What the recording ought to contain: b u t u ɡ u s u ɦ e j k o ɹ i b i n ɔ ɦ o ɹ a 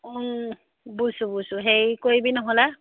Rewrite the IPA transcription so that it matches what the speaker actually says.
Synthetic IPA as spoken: b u s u b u s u ɦ e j k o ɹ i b i n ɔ ɦ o l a